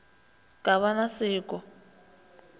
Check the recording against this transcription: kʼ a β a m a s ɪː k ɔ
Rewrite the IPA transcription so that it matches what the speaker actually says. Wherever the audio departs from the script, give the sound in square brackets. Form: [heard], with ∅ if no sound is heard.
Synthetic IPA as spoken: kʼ a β a [n] a s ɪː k ɔ